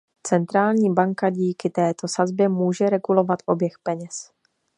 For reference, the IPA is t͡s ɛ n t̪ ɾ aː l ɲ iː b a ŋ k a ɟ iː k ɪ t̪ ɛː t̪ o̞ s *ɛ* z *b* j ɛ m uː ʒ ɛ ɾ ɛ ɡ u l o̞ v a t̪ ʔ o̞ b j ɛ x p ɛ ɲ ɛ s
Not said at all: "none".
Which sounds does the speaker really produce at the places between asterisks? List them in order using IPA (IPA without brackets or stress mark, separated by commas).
a, b